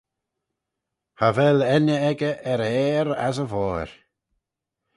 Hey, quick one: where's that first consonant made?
throat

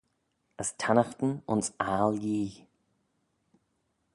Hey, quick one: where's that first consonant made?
tongue tip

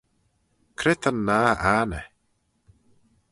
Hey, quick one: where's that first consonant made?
velum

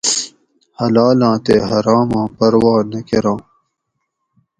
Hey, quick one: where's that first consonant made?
throat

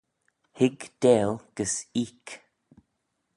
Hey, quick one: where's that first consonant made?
throat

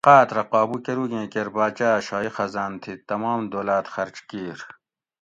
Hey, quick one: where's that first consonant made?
uvula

